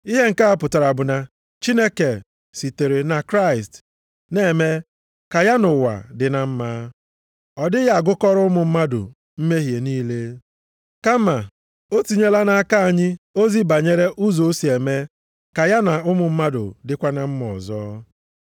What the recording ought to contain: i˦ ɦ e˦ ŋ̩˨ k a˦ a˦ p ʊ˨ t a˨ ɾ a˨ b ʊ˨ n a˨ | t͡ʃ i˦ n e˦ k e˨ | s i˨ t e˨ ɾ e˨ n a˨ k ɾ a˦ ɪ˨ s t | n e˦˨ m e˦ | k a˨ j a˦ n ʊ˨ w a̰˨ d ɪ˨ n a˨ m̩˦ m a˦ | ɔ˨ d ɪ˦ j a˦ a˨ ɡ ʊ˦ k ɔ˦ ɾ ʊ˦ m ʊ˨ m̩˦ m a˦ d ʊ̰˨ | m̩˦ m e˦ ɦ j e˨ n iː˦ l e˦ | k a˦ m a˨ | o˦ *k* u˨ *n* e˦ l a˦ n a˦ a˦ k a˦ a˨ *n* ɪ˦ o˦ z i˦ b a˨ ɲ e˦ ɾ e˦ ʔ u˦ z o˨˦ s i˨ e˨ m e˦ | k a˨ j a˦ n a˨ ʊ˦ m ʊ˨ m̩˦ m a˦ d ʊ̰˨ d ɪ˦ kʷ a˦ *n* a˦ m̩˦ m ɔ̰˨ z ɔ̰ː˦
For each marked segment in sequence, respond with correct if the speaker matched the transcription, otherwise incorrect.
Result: incorrect, incorrect, incorrect, correct

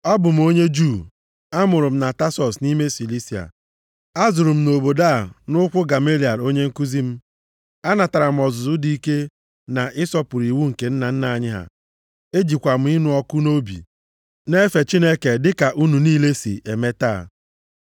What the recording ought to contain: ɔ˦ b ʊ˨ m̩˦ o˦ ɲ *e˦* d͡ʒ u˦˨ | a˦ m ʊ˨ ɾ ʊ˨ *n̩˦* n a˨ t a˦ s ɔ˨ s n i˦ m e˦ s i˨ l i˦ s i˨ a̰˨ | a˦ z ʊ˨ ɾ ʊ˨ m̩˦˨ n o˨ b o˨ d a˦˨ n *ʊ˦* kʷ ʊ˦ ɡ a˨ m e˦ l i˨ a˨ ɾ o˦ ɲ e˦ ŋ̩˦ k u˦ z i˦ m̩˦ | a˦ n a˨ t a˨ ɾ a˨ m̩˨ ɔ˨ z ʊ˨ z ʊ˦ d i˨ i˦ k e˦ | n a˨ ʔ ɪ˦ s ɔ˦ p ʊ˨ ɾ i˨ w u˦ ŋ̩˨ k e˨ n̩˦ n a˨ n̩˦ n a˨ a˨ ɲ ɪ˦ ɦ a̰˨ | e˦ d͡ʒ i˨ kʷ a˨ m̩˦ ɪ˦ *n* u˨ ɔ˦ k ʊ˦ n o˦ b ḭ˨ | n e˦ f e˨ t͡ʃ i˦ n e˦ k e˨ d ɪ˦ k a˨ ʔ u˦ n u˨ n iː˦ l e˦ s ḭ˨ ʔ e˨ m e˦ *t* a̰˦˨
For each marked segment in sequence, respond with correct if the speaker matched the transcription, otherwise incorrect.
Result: correct, incorrect, correct, correct, correct

